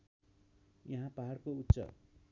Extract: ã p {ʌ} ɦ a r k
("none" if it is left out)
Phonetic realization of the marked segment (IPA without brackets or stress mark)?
a